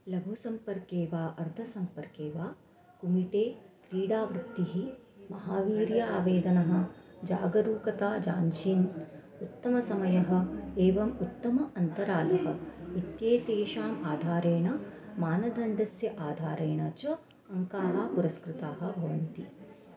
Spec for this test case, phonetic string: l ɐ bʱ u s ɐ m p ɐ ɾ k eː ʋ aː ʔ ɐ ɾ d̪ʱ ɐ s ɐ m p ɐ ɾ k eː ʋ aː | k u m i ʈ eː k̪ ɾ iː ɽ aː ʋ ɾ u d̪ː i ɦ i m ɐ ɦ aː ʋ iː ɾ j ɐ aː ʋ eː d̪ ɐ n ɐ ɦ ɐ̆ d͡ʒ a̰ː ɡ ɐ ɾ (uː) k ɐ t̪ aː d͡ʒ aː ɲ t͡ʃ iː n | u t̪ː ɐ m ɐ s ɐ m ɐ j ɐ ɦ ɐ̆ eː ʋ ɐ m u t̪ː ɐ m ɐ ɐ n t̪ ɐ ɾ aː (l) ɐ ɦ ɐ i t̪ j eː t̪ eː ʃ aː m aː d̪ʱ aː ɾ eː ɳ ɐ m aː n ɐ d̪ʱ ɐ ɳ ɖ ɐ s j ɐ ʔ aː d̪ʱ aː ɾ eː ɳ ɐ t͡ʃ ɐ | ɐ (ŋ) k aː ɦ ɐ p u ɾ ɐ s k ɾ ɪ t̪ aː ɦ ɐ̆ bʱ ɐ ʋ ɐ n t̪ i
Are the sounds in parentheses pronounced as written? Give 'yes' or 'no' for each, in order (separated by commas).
yes, yes, yes